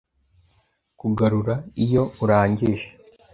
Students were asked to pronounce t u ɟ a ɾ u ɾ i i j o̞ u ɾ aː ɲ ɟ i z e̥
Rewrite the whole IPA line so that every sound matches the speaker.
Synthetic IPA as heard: k u ɡ a ɾ u ɾ a i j o̞ u ɾ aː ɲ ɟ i ʒ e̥